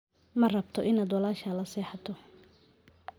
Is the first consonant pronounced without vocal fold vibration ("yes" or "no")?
no